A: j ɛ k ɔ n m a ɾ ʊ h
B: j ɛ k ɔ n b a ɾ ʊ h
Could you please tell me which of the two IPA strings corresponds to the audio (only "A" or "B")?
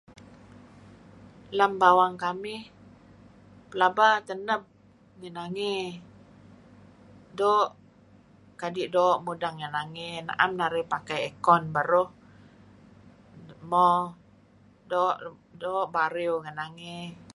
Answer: B